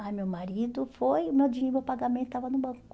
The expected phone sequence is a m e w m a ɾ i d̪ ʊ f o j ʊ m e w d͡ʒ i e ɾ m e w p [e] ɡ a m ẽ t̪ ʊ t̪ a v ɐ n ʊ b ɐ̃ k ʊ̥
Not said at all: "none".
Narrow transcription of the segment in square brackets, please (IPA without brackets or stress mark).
a